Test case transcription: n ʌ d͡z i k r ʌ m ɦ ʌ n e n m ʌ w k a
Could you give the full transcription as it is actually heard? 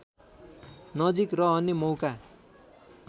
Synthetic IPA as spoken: n ʌ d͡z i k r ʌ ɦ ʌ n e m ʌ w k a